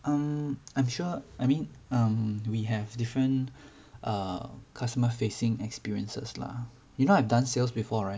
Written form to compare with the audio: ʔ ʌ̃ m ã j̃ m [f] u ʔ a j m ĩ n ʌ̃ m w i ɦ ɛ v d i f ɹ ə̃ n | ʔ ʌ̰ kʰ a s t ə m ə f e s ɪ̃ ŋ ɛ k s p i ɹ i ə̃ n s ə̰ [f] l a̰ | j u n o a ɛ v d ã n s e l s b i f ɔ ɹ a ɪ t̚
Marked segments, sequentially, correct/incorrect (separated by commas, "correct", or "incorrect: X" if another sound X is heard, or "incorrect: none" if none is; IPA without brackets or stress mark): incorrect: ʃ, incorrect: s